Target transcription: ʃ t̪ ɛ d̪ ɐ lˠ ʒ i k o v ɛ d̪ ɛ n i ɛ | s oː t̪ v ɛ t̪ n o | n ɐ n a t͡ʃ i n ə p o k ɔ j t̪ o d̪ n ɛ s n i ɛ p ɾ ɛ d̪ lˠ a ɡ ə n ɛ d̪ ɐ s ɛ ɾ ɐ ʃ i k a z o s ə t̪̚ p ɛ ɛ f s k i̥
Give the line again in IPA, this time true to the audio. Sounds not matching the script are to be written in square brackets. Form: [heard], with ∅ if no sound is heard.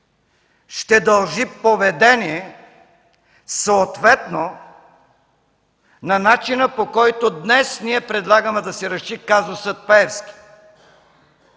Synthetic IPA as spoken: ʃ t̪ ɛ d̪ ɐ lˠ ʒ i [p] o v ɛ d̪ ɛ n i ɛ | s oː t̪ v ɛ t̪ n o | n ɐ n a t͡ʃ i n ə p o k ɔ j t̪ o d̪ n ɛ s n i ɛ p ɾ ɛ d̪ lˠ a ɡ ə [m] ɛ d̪ ɐ s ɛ ɾ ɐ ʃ i k a z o s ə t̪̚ p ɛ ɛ f s k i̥